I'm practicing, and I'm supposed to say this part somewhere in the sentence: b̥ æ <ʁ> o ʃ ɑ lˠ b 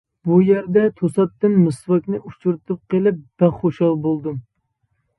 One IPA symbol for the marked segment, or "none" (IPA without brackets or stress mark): χ